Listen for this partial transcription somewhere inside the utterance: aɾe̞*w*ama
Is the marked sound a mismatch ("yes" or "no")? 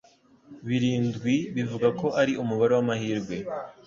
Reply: no